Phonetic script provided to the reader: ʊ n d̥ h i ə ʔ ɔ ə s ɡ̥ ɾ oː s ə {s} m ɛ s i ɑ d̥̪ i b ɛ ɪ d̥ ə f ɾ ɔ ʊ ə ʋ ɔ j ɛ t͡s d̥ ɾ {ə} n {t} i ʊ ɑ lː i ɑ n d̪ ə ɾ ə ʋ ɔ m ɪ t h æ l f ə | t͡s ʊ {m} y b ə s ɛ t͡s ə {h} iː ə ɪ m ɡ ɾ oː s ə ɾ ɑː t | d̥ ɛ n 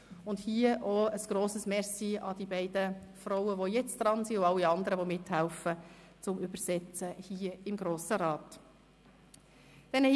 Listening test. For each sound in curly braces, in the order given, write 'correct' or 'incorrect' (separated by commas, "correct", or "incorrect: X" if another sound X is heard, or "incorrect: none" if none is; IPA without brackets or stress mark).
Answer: correct, incorrect: ɑ, incorrect: s, correct, correct